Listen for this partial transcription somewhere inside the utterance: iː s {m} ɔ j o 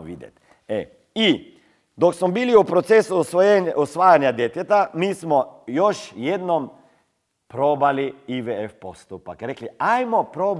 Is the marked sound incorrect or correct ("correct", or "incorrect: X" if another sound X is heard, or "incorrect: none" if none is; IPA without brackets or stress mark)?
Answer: correct